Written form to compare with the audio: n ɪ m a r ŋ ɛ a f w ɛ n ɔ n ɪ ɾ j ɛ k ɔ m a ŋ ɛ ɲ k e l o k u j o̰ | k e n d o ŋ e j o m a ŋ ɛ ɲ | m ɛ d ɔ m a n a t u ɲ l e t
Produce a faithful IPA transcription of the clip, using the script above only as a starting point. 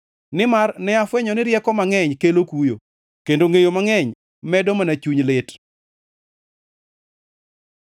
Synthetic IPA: n ɪ m a r n ɛ a f w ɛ ɲ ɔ n ɪ ɾ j ɛ k ɔ m a ŋ ɛ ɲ k e l o k u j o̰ | k e n d o ŋ e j o m a ŋ ɛ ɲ | m ɛ d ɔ m a n a t͡ʃ u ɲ l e t